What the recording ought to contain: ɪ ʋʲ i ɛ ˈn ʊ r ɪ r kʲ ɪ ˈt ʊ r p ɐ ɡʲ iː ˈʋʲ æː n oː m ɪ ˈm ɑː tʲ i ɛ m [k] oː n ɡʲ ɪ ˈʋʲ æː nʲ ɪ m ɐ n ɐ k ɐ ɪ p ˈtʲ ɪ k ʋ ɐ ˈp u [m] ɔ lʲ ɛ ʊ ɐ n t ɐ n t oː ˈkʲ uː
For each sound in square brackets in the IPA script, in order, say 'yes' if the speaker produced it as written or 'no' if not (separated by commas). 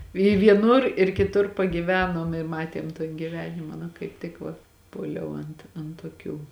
no, no